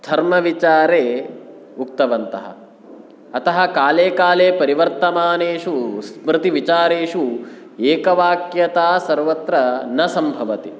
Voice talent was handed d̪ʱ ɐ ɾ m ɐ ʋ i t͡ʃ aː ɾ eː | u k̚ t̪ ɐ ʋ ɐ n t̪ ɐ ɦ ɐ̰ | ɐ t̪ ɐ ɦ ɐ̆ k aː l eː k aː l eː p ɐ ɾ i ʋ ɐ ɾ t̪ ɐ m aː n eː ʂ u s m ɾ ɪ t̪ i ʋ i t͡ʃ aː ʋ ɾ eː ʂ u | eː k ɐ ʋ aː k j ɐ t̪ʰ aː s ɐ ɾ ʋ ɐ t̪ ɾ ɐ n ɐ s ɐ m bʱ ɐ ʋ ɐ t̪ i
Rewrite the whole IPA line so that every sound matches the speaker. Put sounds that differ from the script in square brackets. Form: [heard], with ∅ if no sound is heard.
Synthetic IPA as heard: d̪ʱ ɐ ɾ m ɐ ʋ i t͡ʃ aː ɾ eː | u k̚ t̪ ɐ ʋ ɐ n t̪ ɐ ɦ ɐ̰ | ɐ t̪ ɐ ɦ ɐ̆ k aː l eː k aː l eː p ɐ ɾ i ʋ ɐ ɾ t̪ ɐ m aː n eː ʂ u s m ɾ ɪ t̪ i ʋ i t͡ʃ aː [∅] ɾ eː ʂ u | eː k ɐ ʋ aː k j ɐ [t̪] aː s ɐ ɾ ʋ ɐ t̪ ɾ ɐ n ɐ s ɐ m bʱ ɐ ʋ ɐ t̪ i